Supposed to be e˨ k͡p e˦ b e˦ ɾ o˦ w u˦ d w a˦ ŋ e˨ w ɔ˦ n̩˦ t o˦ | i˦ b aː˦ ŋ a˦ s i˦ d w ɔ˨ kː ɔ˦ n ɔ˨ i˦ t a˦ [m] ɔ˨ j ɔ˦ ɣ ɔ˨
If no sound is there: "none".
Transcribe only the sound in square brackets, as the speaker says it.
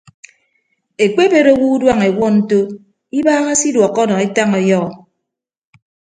ŋ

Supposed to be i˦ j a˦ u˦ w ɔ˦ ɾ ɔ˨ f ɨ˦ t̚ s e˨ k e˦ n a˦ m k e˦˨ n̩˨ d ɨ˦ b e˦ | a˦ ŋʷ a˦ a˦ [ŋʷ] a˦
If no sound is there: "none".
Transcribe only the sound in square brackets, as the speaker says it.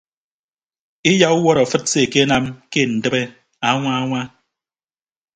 ŋʷ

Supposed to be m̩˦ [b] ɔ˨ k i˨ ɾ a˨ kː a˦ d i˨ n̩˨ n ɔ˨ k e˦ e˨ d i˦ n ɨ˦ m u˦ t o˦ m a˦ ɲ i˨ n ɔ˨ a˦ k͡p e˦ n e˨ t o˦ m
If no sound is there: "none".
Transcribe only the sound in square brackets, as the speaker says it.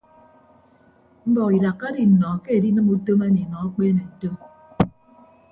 b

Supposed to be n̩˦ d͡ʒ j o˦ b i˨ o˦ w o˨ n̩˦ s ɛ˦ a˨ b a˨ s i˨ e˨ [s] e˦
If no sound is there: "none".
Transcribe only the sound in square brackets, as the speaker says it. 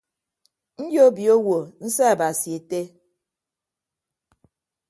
t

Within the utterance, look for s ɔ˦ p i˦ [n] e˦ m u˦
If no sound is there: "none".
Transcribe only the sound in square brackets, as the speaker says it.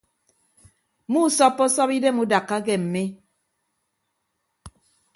d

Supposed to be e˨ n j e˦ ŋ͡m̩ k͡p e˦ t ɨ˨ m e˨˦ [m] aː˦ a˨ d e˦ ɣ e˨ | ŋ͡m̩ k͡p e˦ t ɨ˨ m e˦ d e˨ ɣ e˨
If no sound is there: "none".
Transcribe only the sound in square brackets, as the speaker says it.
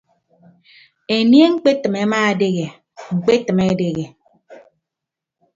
m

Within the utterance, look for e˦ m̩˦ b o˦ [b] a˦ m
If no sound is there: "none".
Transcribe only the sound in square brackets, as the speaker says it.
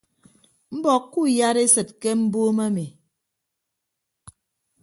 m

